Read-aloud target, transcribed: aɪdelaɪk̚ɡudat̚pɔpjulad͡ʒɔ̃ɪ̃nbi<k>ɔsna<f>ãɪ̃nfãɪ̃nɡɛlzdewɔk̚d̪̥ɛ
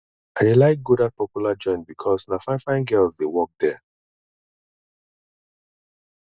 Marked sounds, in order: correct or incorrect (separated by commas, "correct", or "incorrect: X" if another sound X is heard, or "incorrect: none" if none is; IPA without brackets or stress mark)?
incorrect: kʰ, correct